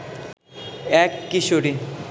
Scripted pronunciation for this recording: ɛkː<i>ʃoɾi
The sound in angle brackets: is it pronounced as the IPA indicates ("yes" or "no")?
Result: yes